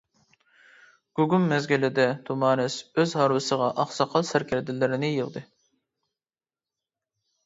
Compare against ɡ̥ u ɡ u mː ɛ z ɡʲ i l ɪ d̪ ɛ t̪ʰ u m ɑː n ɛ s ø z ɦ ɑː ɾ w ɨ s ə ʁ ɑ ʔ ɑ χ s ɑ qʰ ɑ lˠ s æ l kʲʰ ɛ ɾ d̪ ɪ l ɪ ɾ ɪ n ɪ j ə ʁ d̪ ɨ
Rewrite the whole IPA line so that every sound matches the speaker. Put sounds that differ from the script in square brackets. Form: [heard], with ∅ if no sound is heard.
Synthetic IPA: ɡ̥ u ɡ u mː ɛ z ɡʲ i l ɪ d̪ ɛ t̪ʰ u m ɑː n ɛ s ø z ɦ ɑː ɾ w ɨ s ə ʁ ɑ ʔ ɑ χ s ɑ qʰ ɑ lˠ s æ [ɾ] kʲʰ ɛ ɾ d̪ ɪ l ɪ ɾ ɪ n ɪ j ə ʁ d̪ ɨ